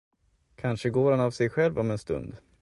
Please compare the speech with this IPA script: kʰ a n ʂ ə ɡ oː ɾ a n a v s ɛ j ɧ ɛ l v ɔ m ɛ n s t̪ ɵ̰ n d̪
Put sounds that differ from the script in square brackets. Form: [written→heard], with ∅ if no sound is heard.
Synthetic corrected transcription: kʰ a n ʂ ə ɡ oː ɾ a n a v s ɛ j ɧ ɛ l v ɔ m ɛ n s t̪ ɵ̰ n d̪